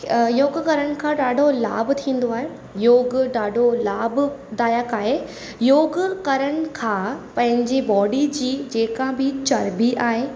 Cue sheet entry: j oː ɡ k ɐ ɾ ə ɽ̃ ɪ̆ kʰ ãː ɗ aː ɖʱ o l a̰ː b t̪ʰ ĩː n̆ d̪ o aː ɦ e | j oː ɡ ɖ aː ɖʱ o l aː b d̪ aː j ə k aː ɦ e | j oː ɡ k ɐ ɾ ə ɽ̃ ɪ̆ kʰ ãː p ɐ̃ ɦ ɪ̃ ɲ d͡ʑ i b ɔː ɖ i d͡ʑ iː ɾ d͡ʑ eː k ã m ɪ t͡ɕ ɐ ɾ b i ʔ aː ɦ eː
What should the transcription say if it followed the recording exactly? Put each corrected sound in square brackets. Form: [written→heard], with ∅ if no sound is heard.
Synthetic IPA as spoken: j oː ɡ k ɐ ɾ ə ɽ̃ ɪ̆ kʰ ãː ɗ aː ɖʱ o l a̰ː b t̪ʰ ĩː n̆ d̪ o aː ɦ e | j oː ɡ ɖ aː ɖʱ o l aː b d̪ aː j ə k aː ɦ e | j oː ɡ k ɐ ɾ ə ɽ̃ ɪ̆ kʰ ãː p ɐ̃ ɦ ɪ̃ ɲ d͡ʑ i b ɔː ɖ i d͡ʑ iː [ɾ→∅] d͡ʑ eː k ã [m→b] ɪ t͡ɕ ɐ ɾ b i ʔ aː ɦ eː